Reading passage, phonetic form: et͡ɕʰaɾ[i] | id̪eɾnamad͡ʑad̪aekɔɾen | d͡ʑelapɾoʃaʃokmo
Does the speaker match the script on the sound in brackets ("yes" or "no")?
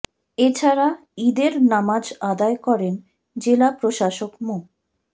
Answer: no